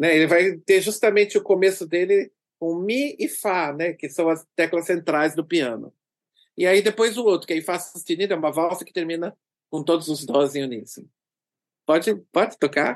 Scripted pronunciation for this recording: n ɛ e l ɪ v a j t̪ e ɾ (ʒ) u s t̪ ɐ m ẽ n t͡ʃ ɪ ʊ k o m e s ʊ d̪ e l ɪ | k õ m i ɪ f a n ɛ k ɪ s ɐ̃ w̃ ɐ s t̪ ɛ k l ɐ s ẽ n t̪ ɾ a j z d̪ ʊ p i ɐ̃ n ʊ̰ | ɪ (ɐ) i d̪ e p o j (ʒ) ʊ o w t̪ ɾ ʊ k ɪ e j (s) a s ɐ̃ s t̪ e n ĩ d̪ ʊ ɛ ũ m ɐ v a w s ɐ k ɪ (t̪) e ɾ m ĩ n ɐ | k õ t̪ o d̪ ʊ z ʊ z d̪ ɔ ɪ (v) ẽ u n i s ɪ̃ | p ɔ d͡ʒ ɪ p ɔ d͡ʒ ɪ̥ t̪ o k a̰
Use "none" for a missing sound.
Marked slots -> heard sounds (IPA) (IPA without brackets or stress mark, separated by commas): ʒ, a, z, f, t̪, z